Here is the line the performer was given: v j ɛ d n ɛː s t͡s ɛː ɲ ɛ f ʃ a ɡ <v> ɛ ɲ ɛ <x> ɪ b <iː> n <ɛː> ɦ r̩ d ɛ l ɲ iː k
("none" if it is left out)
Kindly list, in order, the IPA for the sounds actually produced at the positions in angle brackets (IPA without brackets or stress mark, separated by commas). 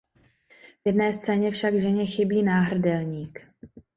ʒ, x, iː, aː